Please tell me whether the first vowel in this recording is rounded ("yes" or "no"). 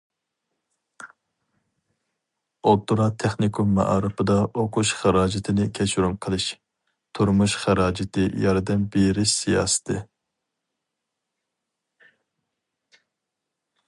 yes